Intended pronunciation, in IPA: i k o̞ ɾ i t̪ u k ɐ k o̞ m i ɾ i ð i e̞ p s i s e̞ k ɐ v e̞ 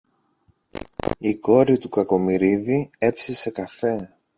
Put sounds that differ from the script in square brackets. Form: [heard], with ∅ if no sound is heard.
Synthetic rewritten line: i k o̞ ɾ i t̪ u k ɐ k o̞ m i ɾ i ð i e̞ p s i s e̞ k ɐ [f] e̞